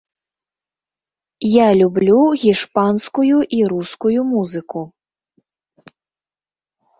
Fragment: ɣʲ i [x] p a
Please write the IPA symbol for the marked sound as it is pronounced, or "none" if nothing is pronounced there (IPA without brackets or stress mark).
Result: ʂ